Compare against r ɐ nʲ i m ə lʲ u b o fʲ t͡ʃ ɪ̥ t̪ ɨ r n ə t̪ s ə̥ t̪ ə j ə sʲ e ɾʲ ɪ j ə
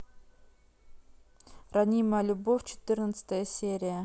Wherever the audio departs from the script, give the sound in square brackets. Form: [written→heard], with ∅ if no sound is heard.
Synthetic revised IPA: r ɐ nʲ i m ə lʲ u b o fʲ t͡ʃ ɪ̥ t̪ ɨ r n ə t̪ s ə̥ t̪ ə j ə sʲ e ɾʲ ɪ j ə

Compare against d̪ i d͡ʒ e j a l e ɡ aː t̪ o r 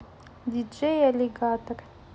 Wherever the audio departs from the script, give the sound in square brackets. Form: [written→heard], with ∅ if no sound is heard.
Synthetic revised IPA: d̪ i d͡ʒ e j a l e ɡ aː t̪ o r

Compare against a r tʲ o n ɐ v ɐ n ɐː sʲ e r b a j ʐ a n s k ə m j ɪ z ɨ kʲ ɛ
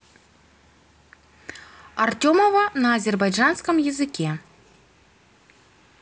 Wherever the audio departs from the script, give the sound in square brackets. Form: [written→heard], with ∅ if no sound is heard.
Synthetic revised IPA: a r tʲ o [n→m] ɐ v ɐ n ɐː [sʲ→zʲ] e r b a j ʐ a n s k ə m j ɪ z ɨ kʲ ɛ

